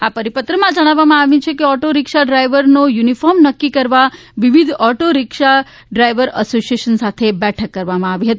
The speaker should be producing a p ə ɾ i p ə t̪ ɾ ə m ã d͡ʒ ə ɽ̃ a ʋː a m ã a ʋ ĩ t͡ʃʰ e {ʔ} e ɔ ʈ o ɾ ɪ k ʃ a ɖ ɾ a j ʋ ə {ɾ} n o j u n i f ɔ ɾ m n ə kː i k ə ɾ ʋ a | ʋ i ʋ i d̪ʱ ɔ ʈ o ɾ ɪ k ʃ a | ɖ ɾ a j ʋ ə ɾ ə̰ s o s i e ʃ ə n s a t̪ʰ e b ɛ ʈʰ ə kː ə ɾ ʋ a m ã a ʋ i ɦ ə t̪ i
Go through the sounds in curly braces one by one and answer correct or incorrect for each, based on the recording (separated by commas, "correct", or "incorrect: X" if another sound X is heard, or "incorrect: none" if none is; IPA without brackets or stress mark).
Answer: incorrect: k, correct